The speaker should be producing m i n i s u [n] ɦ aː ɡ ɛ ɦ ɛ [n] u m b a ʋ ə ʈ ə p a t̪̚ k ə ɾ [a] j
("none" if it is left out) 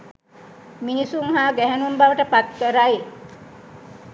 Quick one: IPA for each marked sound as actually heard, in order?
ŋ, n, a

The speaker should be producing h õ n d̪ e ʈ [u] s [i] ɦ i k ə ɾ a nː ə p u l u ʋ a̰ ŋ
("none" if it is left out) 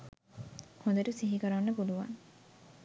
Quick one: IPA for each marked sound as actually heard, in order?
u, i

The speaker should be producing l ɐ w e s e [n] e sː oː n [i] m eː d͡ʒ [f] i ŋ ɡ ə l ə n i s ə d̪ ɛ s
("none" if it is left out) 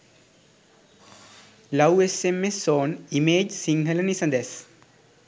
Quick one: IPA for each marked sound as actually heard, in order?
m, i, s

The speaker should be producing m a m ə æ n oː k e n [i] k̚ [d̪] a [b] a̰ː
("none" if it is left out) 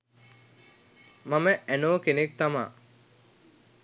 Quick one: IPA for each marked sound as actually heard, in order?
e, t̪, m

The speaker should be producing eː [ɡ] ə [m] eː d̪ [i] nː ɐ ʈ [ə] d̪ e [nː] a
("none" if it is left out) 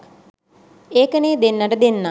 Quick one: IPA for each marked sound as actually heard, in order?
k, n, e, ə, nː

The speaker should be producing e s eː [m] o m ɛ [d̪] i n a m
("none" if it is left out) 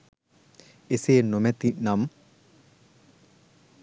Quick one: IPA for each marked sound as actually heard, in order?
n, t̪

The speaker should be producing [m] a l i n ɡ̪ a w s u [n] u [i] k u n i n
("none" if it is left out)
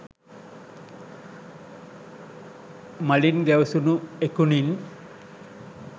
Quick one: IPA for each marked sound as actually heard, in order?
m, n, e

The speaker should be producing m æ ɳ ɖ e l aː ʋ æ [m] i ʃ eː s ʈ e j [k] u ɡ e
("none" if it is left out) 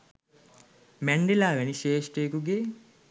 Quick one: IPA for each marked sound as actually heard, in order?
n, k

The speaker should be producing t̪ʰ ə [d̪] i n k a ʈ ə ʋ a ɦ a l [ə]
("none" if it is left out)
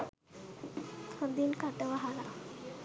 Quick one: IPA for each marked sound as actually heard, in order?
d̪, a

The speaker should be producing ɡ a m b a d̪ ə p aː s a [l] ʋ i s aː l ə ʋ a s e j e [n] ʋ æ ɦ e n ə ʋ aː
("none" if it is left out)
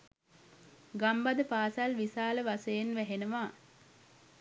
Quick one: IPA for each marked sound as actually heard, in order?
l, n

